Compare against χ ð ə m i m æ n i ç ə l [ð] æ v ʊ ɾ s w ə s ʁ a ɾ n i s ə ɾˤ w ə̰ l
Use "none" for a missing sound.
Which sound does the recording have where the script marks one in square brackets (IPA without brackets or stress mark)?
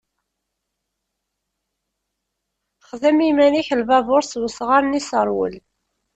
v